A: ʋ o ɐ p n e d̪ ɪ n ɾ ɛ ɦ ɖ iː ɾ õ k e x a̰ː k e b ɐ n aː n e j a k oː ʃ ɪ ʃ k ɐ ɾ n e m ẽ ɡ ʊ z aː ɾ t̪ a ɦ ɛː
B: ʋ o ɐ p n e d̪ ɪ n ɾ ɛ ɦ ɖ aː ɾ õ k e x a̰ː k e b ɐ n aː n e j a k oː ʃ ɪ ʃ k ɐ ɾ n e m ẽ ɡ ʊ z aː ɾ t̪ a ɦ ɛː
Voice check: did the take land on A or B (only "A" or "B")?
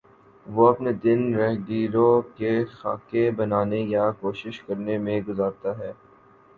A